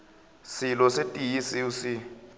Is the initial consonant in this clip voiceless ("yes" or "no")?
yes